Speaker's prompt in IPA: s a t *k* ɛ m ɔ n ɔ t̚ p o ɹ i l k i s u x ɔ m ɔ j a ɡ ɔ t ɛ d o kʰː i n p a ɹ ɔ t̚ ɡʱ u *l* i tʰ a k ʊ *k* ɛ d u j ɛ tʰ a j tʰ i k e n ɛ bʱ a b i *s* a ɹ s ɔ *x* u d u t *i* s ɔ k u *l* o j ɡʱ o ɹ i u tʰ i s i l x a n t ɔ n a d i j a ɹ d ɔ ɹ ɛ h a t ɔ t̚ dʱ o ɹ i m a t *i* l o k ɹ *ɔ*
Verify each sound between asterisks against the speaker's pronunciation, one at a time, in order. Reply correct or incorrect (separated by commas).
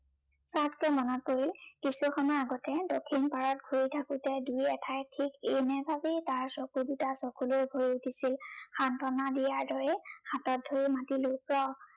correct, incorrect, incorrect, incorrect, incorrect, incorrect, correct, correct, correct